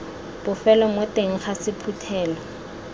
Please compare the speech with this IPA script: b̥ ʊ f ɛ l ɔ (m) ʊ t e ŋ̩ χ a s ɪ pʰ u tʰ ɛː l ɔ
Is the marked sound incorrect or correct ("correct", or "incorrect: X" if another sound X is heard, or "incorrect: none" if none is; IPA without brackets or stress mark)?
correct